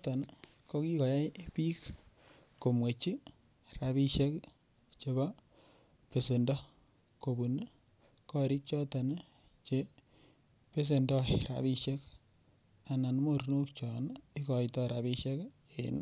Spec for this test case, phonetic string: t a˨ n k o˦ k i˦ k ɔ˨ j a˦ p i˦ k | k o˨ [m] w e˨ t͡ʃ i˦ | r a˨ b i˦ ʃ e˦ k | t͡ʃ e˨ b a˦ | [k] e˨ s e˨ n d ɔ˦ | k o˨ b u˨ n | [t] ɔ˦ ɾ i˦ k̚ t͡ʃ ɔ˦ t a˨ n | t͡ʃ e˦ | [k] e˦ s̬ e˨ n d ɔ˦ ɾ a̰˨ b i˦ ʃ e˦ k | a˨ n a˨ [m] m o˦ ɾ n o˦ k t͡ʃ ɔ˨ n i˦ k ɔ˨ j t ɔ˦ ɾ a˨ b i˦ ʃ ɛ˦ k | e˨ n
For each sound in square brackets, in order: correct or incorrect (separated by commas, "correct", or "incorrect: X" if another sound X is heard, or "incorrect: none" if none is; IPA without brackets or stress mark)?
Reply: correct, incorrect: p, incorrect: k, incorrect: p, incorrect: n